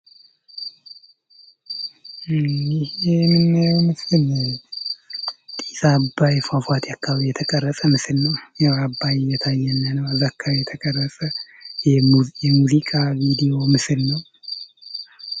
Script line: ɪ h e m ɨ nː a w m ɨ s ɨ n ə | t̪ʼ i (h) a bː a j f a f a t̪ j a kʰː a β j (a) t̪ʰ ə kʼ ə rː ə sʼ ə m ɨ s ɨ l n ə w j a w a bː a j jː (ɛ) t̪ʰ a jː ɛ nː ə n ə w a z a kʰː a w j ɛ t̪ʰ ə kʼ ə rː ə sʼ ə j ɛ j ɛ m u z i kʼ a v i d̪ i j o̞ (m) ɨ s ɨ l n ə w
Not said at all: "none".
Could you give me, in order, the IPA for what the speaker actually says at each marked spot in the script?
s, ɛ, ɛ, m

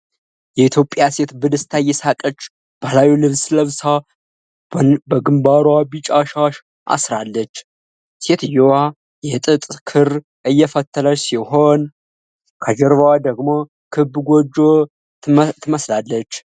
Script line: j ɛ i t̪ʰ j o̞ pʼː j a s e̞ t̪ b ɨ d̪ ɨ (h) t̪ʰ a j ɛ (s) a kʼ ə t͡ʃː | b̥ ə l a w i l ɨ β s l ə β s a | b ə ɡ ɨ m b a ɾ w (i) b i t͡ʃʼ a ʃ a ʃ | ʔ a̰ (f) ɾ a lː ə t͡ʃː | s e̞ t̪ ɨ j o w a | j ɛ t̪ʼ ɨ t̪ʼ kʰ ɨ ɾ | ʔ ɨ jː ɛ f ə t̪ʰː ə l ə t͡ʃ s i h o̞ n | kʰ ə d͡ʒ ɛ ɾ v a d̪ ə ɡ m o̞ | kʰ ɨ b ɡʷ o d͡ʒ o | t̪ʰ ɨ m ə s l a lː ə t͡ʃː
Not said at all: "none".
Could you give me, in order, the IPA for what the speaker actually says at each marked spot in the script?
s, s, a, s

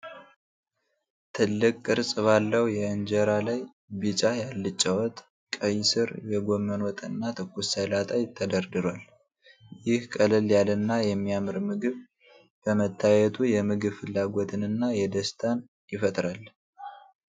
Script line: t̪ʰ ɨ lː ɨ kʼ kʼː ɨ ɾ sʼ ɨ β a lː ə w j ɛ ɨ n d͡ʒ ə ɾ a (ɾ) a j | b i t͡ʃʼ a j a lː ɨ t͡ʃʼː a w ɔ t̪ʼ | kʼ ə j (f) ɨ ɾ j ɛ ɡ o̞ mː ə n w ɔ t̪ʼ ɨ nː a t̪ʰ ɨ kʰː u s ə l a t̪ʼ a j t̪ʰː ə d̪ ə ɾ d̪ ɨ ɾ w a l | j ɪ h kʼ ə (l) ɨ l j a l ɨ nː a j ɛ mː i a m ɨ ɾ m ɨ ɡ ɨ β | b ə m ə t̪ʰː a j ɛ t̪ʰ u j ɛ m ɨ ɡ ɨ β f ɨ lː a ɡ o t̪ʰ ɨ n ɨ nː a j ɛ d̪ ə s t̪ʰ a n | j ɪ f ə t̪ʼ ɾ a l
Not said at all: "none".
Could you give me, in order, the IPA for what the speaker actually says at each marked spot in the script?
l, s, l

